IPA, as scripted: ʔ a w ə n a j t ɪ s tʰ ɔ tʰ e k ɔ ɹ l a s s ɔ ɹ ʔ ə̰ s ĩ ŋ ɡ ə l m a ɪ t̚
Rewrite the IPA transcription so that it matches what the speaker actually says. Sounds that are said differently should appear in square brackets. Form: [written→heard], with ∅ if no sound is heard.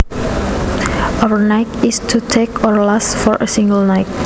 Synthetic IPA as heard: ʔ a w ə n a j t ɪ s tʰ [ɔ→u] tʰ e k ɔ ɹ l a s [s→f] ɔ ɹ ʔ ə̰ s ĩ ŋ ɡ ə l [m→n] a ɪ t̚